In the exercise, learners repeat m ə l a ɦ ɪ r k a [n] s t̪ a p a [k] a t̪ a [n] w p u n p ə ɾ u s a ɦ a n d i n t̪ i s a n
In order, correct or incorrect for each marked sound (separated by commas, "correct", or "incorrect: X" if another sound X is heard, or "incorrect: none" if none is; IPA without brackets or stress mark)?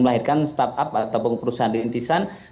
correct, incorrect: p, incorrect: none